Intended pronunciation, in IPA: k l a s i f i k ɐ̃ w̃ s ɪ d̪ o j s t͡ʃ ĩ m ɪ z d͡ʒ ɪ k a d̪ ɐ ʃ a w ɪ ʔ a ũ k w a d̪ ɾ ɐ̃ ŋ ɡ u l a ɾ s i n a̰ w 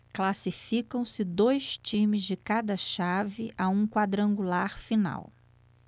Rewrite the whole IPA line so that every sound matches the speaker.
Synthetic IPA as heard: k l a s i f i k ɐ̃ w̃ s ɪ d̪ o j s t͡ʃ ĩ m ɪ z d͡ʒ ɪ k a d̪ ɐ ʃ a v ɪ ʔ a ũ k w a d̪ ɾ ɐ̃ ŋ ɡ u l a ɾ f i n a̰ w